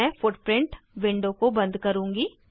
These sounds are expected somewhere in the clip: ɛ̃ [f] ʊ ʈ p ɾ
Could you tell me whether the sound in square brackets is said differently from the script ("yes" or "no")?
no